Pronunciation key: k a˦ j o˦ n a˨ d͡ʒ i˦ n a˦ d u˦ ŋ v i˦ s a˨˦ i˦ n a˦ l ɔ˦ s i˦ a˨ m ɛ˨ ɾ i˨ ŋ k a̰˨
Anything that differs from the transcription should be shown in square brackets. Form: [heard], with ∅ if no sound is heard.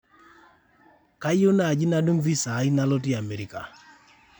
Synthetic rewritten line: k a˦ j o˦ n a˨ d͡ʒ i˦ n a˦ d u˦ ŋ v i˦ s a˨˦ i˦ n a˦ l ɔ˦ [t] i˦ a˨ m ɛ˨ ɾ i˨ [∅] k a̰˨